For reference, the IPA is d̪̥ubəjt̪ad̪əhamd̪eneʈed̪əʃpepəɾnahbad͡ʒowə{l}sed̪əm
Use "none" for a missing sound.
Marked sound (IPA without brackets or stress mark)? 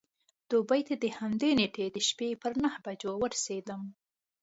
ɾ